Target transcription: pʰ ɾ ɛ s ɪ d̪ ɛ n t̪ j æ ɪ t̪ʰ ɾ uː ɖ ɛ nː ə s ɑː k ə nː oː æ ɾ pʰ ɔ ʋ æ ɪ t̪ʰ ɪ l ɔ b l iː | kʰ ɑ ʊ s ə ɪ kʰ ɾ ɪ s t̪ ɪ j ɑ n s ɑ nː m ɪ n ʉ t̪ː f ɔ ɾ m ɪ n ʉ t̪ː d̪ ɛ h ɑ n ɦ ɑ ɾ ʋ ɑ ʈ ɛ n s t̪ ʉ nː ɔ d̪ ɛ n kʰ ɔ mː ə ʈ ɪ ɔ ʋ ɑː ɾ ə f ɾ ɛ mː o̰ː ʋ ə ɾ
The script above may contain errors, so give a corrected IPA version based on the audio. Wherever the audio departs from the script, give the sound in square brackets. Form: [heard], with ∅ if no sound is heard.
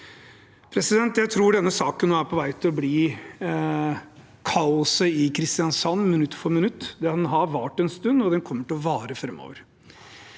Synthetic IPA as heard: pʰ ɾ ɛ s ɪ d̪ ɛ n t̪ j æ ɪ t̪ʰ ɾ uː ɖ ɛ nː ə s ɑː k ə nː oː æ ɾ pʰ ɔ ʋ æ ɪ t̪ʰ ɪ l ɔ b l iː | kʰ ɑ ʊ s ə ɪ kʰ ɾ ɪ s t̪ ɪ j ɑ n s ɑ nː m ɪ n ʉ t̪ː f ɔ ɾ m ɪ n ʉ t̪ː d̪ ɛ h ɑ n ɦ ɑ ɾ ʋ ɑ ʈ ɛ n s t̪ ʉ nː ɔ d̪ ɛ n kʰ ɔ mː ə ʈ ɪ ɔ ʋ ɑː ɾ ə f ɾ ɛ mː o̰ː ʋ ə ɾ